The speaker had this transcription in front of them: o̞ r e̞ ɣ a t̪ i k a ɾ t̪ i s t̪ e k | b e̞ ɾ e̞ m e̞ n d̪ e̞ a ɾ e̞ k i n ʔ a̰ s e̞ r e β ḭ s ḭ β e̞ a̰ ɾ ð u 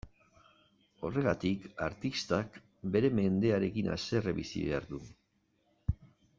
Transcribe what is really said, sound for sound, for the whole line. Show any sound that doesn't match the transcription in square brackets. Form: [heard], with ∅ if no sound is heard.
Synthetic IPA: o̞ r e̞ ɣ a t̪ i k a ɾ t̪ i s t̪ [a] k | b e̞ ɾ e̞ m e̞ n d̪ e̞ a ɾ e̞ k i n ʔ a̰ s e̞ r e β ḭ s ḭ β e̞ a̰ ɾ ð u